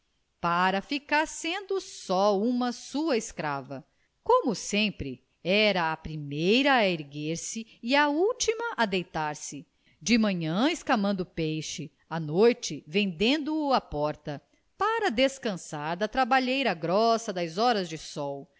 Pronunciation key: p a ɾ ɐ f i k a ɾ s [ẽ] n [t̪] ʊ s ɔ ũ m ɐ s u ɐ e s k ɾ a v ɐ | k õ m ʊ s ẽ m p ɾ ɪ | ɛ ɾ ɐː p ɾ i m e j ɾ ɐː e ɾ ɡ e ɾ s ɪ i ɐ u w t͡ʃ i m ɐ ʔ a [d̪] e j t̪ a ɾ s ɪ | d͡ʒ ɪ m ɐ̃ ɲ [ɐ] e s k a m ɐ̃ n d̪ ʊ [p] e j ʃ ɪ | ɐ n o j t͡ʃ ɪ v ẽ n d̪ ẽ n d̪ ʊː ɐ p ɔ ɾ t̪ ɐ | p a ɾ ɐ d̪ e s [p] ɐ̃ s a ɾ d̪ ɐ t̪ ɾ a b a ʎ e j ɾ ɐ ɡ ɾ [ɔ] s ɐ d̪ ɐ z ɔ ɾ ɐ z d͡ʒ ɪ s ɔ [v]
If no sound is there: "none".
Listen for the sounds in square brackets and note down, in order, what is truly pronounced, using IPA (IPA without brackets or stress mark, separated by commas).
ẽ, d̪, d̪, ɐ̃, p, k, ɔ, w